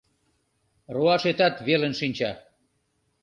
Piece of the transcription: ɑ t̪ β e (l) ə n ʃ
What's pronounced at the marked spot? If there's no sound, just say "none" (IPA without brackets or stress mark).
l